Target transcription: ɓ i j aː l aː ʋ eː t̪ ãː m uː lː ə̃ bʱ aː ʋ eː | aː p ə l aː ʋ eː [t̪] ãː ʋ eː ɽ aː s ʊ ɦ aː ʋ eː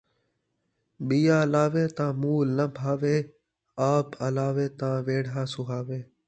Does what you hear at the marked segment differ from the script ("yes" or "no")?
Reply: no